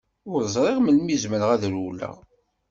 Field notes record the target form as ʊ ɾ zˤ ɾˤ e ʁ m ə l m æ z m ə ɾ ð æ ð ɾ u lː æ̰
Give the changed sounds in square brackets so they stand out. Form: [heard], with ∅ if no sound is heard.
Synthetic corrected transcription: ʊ ɾ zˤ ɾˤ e ʁ m ə l m [i] z m ə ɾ [ʁ] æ ð ɾ u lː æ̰